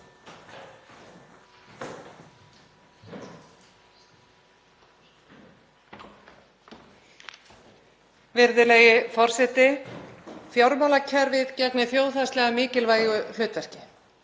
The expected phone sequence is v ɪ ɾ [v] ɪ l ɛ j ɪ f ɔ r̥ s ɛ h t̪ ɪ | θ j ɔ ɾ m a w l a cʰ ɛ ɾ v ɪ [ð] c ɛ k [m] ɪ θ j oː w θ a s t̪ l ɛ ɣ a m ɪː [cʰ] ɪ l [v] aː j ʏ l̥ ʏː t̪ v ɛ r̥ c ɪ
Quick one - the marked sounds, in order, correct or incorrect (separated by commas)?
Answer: incorrect, correct, incorrect, incorrect, correct